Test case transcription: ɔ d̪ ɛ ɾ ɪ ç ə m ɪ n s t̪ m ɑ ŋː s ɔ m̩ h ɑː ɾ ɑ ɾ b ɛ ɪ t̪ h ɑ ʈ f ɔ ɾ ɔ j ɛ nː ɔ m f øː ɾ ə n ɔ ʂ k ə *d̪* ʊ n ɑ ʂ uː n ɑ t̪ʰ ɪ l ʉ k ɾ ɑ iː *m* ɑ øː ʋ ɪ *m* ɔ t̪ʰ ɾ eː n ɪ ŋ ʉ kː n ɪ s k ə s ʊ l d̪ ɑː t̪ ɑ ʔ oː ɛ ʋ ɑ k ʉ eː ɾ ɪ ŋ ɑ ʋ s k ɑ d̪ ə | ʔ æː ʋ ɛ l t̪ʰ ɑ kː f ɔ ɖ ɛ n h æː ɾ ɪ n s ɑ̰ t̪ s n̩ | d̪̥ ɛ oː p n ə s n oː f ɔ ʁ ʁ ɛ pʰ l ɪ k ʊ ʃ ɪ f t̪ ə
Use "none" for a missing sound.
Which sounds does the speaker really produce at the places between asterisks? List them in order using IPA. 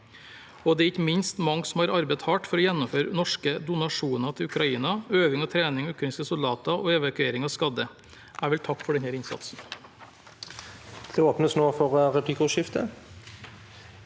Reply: d̪, n, ŋ

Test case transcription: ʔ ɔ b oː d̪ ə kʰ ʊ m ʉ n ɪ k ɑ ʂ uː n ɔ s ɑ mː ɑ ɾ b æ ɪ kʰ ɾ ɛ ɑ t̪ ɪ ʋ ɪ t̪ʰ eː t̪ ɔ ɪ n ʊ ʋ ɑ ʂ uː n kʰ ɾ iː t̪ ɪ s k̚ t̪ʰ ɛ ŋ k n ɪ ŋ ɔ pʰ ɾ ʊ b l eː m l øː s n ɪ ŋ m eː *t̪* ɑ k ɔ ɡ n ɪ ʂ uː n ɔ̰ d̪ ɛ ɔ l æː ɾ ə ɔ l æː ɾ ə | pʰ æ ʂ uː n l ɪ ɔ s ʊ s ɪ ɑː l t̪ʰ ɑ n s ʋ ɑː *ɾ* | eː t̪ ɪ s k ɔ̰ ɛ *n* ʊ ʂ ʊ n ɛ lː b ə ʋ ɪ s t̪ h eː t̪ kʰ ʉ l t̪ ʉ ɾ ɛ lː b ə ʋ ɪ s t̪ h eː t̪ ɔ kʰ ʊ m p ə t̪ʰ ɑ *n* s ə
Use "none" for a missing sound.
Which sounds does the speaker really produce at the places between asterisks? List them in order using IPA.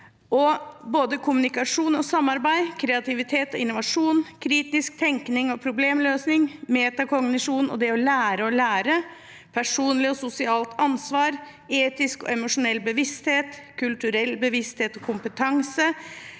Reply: t̪, ɾ, m, ŋ

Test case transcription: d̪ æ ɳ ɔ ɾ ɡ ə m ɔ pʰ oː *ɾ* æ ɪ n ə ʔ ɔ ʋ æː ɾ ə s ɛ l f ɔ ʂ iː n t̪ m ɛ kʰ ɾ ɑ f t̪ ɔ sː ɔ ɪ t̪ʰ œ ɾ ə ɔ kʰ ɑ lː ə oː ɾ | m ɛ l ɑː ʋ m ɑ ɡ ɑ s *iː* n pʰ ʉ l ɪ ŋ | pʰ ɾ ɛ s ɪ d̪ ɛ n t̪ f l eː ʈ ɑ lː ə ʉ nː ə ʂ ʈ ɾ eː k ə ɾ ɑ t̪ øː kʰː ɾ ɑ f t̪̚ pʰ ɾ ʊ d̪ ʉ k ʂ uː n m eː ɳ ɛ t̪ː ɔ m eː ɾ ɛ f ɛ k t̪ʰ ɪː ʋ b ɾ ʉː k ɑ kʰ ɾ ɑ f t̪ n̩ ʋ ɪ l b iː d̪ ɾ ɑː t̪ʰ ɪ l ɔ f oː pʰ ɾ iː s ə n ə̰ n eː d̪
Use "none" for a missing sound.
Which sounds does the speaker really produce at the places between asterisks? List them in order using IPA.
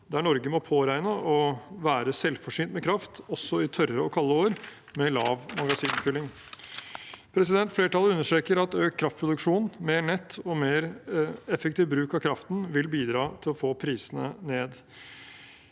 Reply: ɾ, iː

